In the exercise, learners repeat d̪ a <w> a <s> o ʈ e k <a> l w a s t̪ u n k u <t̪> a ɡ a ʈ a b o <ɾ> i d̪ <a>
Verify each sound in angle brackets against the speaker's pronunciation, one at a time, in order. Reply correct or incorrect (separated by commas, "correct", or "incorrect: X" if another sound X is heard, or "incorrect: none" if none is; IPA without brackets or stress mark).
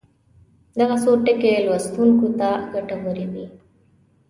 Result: incorrect: ɣ, correct, incorrect: e, correct, correct, incorrect: i